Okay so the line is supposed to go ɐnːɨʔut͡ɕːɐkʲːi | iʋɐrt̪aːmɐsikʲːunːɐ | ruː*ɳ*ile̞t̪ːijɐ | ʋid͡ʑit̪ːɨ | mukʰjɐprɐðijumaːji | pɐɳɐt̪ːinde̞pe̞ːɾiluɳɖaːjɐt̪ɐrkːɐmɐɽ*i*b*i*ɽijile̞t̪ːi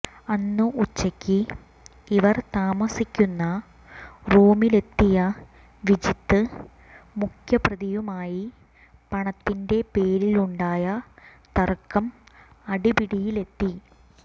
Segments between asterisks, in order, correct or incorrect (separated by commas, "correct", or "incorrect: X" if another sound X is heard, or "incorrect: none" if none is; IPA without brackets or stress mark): incorrect: m, correct, correct